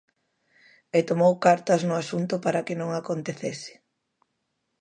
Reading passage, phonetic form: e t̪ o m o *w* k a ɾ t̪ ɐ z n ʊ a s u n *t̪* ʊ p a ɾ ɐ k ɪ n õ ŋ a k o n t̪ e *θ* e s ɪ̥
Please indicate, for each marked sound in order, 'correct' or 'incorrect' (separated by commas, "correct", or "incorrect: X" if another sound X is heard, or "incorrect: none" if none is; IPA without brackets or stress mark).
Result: correct, correct, correct